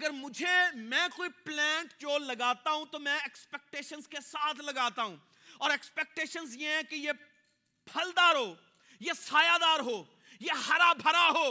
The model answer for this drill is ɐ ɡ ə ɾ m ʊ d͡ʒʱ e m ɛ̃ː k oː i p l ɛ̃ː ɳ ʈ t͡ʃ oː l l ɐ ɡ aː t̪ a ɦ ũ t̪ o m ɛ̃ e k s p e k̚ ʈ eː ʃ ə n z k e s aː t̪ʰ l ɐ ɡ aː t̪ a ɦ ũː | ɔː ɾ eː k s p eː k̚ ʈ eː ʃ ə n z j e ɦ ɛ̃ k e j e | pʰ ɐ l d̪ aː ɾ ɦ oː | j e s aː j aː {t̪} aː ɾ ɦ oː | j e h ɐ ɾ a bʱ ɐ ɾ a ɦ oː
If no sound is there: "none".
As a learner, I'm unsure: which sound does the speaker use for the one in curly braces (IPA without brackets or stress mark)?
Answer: d̪